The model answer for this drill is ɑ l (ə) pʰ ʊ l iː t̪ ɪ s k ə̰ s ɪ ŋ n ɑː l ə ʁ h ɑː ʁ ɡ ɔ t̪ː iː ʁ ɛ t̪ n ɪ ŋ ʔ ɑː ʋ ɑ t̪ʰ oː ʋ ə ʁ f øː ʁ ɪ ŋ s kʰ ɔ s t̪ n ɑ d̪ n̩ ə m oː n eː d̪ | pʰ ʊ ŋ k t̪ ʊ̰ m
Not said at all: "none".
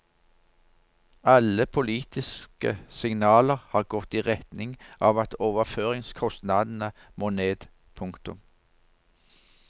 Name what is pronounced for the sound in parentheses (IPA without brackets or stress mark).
ə